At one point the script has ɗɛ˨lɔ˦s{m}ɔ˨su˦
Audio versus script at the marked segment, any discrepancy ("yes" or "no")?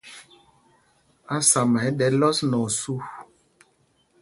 yes